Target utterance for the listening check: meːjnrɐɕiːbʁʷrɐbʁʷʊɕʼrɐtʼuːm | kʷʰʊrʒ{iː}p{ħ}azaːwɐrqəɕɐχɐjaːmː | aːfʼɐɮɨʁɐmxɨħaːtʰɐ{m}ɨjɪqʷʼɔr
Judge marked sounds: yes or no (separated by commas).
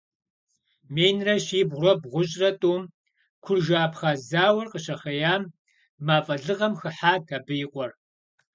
no, no, no